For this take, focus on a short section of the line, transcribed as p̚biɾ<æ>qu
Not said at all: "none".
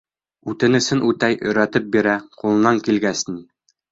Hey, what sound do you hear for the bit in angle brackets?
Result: æ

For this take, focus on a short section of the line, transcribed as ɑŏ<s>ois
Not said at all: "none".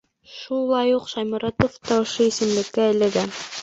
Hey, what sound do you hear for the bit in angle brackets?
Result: ʃ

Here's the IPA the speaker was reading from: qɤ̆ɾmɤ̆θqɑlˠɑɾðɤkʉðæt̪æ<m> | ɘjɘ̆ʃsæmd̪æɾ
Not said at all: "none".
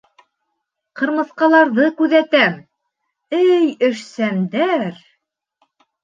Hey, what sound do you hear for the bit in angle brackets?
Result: m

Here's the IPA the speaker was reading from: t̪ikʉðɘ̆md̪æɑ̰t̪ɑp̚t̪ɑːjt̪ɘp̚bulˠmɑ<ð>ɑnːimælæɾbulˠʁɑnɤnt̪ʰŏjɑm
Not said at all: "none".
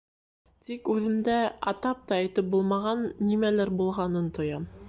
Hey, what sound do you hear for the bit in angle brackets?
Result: ʁ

